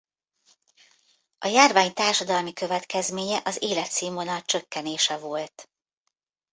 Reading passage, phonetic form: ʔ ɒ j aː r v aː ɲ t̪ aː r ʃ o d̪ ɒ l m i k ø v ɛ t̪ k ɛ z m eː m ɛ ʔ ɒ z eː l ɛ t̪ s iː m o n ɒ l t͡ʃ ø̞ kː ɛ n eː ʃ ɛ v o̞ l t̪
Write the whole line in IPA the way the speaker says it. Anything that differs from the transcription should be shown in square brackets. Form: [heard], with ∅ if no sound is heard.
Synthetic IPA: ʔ ɒ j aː r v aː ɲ t̪ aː r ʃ [ɒ] d̪ ɒ l m i k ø v ɛ t̪ k ɛ z m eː [ɲ] ɛ ʔ ɒ z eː l ɛ t̪ s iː m o n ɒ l t͡ʃ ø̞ kː ɛ n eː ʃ ɛ v o̞ l t̪